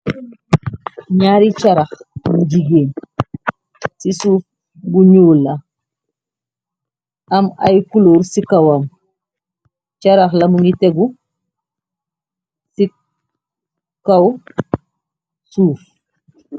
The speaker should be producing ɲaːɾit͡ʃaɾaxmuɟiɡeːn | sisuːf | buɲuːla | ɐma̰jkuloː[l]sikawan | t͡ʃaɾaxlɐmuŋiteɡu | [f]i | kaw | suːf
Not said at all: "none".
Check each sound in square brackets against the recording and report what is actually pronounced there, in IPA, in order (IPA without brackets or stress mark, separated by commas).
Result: ɾ, s